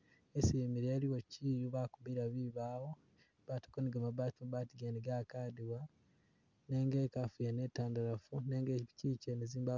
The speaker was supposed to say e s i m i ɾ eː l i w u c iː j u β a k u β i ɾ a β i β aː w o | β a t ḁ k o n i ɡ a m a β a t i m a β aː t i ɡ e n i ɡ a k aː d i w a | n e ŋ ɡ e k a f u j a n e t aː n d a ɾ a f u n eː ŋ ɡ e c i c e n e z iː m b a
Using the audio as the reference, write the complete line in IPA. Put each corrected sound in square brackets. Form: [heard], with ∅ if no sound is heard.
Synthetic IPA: e s i m i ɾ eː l i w [o] c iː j u β a k u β i ɾ a β i β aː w o | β a t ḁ k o n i ɡ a m a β a t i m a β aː t i ɡ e n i ɡ a k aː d i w a | n e ŋ ɡ e k a f u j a n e t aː n d a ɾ a f u n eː ŋ ɡ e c i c e n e z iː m b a